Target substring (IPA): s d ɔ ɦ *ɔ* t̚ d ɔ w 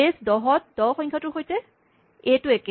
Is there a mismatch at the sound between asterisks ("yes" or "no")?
no